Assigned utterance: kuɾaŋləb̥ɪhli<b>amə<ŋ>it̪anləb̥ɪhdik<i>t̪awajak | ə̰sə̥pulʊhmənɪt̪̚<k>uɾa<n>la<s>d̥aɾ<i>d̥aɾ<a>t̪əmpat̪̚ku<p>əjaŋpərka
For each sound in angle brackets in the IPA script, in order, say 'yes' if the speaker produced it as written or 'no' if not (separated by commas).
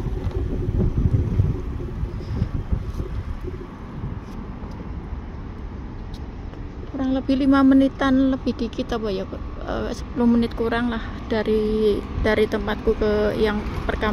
no, no, yes, yes, no, no, yes, no, no